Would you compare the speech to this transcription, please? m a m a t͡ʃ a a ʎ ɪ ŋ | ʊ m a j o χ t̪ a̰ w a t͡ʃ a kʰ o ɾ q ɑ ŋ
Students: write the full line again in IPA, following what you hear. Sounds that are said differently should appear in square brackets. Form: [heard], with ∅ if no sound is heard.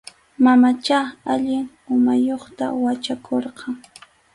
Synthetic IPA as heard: m a m a t͡ʃ a a ʎ ɪ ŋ | ʊ m a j o χ t̪ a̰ w a t͡ʃ a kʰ o ɾ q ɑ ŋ